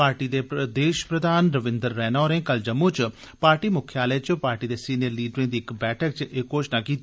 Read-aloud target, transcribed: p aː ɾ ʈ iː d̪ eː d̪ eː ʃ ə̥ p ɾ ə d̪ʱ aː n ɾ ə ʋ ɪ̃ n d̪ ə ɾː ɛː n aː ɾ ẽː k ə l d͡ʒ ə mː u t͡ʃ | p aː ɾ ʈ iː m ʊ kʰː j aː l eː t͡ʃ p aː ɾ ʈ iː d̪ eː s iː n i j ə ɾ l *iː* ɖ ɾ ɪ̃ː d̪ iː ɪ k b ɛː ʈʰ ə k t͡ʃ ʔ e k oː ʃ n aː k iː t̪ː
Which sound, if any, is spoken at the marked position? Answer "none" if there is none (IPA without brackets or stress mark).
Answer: iː